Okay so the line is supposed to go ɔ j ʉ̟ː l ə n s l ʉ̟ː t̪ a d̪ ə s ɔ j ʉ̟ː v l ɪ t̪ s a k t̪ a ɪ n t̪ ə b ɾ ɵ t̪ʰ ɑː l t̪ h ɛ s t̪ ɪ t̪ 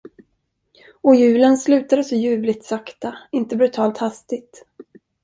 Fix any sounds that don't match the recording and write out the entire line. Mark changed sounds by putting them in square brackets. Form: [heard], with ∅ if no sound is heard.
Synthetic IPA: ɔ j ʉ̟ː l ə n s l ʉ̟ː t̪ a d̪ ə s ɔ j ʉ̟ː v l ɪ t̪ s a k t̪ a ɪ n t̪ ə b ɾ ɵ t̪ʰ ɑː l t̪ h [a] s t̪ ɪ t̪